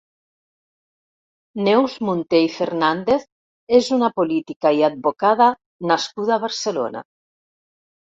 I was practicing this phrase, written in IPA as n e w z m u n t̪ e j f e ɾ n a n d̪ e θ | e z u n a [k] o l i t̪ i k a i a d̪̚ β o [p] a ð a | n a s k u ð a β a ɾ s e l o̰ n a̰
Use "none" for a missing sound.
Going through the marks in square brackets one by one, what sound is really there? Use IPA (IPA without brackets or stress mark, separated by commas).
p, k